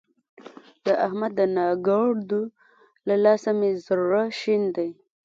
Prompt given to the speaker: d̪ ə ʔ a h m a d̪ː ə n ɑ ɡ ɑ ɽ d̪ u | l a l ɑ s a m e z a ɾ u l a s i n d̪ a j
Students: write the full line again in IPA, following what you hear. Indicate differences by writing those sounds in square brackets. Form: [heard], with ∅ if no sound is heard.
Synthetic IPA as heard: d̪ ə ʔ a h m a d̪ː ə n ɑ ɡ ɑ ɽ d̪ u | l a l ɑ s a m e z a ɾ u [ɾ] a [ʃ] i n d̪ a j